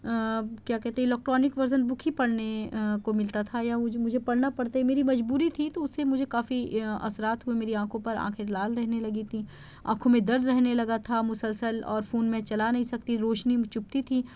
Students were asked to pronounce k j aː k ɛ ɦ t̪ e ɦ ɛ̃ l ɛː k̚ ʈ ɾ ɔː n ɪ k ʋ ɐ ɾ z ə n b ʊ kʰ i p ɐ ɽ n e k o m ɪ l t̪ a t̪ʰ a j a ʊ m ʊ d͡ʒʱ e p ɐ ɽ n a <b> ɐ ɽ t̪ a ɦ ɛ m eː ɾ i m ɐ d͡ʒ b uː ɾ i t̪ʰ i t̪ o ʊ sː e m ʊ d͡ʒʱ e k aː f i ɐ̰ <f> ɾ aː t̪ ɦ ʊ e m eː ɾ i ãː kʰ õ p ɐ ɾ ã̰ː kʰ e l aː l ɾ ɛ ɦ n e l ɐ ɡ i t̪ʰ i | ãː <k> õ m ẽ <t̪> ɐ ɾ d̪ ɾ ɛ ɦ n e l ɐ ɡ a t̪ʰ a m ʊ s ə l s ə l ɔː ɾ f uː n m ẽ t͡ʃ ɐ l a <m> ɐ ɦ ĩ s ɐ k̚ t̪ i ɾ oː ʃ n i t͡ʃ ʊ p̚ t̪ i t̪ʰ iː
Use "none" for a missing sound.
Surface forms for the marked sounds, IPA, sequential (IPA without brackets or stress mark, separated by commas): p, s, kʰ, d̪, n